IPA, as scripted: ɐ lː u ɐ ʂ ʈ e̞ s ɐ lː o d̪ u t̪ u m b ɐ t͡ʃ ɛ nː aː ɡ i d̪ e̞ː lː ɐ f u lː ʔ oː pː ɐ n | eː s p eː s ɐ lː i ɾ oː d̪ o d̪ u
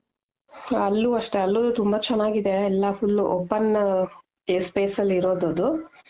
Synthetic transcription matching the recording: ɐ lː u ɐ ʂ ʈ e̞ ɐ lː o d̪ u t̪ u m b ɐ t͡ʃ ɛ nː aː ɡ i d̪ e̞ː lː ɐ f u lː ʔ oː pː ɐ n | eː s p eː s ɐ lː i ɾ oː d̪ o d̪ u